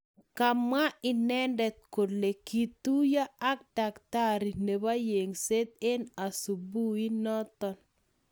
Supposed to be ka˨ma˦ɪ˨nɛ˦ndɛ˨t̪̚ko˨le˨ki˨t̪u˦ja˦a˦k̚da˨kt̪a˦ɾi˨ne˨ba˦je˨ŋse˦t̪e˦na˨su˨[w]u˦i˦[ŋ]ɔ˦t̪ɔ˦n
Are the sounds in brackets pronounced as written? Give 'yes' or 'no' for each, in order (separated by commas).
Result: no, no